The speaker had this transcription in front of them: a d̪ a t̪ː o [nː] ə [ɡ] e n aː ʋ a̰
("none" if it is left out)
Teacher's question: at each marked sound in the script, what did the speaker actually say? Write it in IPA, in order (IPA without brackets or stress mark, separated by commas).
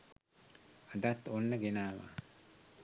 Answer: nː, ɡ